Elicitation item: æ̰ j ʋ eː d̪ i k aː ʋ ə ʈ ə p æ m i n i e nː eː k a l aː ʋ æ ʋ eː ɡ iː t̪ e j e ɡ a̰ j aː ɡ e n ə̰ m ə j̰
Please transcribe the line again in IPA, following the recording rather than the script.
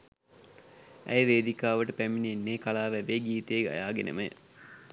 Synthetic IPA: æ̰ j ʋ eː d̪ i k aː ʋ ə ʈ ə p æ m i n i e nː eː k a l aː ʋ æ ʋ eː ɡ iː t̪ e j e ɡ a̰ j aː ɡ e n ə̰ m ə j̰